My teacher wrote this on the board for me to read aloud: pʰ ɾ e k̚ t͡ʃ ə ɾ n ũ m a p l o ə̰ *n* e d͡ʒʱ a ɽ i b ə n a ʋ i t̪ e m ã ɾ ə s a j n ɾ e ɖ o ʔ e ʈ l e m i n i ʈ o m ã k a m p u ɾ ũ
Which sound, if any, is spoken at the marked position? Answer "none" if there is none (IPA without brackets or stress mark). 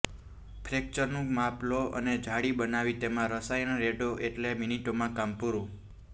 n